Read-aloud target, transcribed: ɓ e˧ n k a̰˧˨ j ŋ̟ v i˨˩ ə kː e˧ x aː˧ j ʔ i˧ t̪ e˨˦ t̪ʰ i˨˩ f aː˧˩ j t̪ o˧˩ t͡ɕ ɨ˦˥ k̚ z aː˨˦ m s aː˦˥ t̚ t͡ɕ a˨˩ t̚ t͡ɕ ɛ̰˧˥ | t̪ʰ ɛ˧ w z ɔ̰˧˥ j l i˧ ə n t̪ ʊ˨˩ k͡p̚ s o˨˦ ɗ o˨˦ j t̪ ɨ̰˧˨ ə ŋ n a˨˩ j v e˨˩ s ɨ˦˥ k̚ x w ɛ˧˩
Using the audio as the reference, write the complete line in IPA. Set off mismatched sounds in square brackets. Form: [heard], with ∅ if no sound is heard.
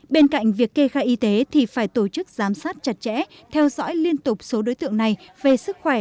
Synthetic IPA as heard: ɓ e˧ n k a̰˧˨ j ŋ̟ v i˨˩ ə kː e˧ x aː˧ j ʔ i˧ t̪ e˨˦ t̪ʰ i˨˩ f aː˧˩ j t̪ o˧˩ t͡ɕ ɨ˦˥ k̚ z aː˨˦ m s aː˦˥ t̚ t͡ɕ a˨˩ t̚ t͡ɕ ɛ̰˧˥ | t̪ʰ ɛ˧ w z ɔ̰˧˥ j l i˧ ə n t̪ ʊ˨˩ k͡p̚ s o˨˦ ɗ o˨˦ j t̪ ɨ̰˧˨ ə ŋ n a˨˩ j v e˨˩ s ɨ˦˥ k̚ x w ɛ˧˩